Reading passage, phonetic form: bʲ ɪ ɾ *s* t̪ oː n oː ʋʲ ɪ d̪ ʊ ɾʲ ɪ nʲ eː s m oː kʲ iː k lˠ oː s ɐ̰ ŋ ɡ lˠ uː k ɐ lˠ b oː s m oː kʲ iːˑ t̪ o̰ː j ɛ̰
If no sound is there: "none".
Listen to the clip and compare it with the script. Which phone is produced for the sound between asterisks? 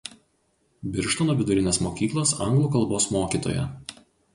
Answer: ʃ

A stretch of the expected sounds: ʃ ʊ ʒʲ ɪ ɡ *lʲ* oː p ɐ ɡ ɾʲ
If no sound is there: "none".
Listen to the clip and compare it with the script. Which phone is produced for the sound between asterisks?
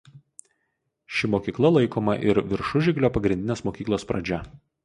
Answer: lʲ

